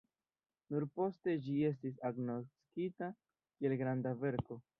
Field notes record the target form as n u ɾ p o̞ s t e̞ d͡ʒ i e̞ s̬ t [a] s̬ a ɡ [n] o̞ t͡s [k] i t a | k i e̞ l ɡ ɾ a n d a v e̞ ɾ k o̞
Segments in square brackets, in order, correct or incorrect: incorrect: i, correct, correct

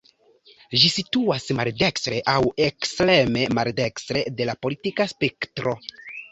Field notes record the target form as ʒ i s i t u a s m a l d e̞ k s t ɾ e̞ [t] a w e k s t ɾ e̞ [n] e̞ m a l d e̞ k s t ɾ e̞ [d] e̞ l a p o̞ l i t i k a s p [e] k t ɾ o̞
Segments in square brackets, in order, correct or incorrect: incorrect: ʔ, incorrect: m, correct, correct

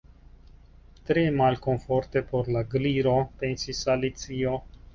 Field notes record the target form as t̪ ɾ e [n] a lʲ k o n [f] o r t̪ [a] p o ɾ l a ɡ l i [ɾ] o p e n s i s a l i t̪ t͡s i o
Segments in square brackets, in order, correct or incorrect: incorrect: m, correct, incorrect: e, correct

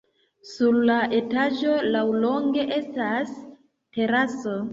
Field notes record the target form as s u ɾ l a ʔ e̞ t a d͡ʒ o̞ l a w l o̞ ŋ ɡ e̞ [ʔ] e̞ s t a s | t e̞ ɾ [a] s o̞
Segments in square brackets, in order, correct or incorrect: correct, correct

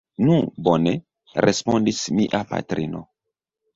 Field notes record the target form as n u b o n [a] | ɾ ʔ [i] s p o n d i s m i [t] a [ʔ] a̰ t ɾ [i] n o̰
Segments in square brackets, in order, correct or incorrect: incorrect: e, incorrect: e, incorrect: ʔ, incorrect: p, correct

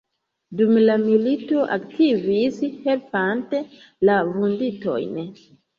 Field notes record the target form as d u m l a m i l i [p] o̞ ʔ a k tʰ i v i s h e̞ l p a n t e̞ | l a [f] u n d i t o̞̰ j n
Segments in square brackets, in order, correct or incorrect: incorrect: t, incorrect: v

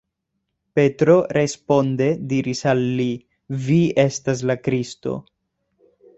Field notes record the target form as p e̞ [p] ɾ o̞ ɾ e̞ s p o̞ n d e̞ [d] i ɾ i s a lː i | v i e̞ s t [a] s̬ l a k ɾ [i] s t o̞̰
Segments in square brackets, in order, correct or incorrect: incorrect: t, correct, correct, correct

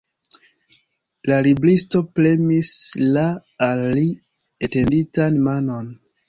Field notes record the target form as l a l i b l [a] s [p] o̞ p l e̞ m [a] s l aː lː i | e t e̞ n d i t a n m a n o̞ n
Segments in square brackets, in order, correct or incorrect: incorrect: i, incorrect: t, incorrect: i

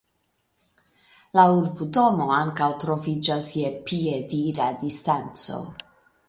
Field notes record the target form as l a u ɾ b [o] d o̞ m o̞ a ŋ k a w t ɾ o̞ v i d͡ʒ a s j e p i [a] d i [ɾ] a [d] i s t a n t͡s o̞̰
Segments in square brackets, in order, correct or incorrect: incorrect: u, incorrect: e, correct, correct

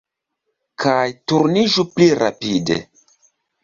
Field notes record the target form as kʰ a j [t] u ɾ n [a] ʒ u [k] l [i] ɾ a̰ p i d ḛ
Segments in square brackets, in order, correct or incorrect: correct, incorrect: i, incorrect: p, correct

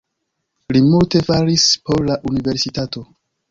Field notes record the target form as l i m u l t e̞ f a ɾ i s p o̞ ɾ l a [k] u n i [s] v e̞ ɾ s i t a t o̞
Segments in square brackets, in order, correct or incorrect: incorrect: ʔ, incorrect: none

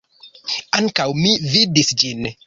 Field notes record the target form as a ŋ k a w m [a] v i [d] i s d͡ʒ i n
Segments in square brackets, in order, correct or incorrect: incorrect: i, correct

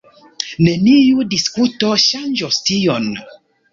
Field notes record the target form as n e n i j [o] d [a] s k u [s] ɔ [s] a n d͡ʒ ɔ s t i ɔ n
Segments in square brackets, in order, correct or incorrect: incorrect: u, incorrect: i, incorrect: t, incorrect: ʃ

